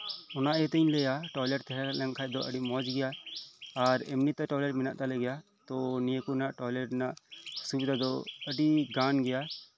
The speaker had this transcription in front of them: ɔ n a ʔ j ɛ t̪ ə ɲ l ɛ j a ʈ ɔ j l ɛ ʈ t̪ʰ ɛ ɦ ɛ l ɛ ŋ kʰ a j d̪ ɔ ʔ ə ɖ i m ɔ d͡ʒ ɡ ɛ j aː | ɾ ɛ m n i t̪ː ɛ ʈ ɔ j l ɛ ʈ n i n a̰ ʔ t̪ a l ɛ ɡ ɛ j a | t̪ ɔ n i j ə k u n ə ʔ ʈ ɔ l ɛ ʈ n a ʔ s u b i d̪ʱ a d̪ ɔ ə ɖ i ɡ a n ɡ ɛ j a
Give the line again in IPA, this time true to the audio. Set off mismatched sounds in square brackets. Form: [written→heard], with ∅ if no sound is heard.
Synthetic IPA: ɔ n a ʔ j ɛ t̪ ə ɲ l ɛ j a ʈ ɔ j l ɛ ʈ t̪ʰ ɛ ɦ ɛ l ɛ ŋ kʰ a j d̪ ɔ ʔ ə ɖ i m ɔ d͡ʒ ɡ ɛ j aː | ɾ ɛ m n i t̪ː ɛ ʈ ɔ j l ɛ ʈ [n→m] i n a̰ ʔ t̪ a l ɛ ɡ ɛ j a | t̪ ɔ n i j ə k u n [ə→a] ʔ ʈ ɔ l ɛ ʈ n a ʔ s u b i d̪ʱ a d̪ ɔ ə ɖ i ɡ a n ɡ ɛ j a